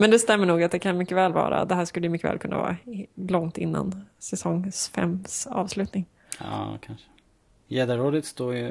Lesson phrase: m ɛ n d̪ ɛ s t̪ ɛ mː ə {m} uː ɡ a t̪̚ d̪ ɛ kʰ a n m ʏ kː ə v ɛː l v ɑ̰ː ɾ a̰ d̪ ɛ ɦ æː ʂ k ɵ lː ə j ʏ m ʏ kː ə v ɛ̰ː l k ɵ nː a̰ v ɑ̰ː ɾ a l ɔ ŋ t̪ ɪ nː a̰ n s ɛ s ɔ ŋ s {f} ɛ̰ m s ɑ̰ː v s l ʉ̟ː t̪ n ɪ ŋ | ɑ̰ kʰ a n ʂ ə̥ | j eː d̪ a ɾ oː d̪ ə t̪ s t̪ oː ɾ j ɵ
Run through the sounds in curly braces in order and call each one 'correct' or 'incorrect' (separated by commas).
incorrect, correct